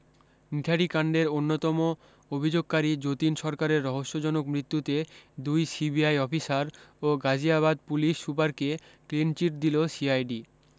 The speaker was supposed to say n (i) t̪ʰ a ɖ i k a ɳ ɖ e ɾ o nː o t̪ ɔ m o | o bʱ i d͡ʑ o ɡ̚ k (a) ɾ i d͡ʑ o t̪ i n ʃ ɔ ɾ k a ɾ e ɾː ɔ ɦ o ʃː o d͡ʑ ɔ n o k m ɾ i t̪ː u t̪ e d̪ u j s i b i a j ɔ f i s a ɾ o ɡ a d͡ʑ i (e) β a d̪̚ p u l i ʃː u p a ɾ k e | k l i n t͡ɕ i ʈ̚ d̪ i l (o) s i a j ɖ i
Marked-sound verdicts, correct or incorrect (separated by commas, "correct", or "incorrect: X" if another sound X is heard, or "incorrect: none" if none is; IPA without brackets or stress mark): correct, correct, incorrect: a, correct